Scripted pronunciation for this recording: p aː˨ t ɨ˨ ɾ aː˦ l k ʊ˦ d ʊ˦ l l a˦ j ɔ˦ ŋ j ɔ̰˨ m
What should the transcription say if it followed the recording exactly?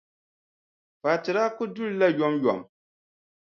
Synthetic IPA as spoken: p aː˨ t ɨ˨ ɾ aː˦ k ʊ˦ d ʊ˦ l l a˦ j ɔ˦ m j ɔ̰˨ m